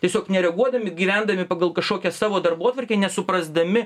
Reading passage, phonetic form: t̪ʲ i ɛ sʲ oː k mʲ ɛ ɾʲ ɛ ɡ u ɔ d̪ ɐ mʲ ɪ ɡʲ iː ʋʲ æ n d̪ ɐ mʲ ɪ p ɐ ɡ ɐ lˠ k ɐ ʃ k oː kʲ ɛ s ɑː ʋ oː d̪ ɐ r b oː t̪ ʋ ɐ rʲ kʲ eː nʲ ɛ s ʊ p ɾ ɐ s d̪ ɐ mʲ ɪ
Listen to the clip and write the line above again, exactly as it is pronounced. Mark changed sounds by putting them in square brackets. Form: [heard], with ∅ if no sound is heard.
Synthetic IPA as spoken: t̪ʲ i ɛ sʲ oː k [nʲ] ɛ ɾʲ ɛ ɡ u ɔ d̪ ɐ mʲ ɪ ɡʲ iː ʋʲ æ n d̪ ɐ mʲ ɪ p ɐ ɡ ɐ lˠ k ɐ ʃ k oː kʲ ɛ s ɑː ʋ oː d̪ ɐ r b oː t̪ ʋ ɐ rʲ kʲ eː nʲ ɛ s ʊ p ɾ ɐ [z] d̪ ɐ mʲ ɪ